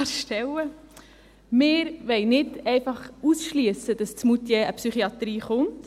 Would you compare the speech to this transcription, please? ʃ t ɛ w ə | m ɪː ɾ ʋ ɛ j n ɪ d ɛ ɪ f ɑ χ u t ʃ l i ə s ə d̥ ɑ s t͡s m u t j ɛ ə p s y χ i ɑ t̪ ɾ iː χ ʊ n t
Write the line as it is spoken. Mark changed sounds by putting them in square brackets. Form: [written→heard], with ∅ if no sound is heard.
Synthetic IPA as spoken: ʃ t ɛ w ə | m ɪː ɾ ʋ ɛ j n ɪ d ɛ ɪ f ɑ χ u [t→s] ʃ l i ə s ə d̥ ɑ s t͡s m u t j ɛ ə p s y χ i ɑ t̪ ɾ iː χ ʊ n t